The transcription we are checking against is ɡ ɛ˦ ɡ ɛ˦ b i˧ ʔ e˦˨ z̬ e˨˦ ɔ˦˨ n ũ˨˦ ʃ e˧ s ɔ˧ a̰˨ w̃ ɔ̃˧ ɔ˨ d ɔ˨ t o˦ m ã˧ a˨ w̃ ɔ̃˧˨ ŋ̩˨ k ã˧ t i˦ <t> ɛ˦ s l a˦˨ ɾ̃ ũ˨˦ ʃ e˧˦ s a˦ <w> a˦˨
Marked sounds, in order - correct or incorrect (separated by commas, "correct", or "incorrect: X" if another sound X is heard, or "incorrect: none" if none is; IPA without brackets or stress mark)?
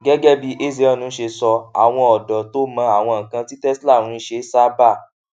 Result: correct, incorrect: b